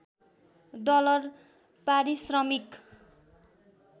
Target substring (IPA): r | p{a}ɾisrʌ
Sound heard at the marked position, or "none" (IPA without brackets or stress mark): a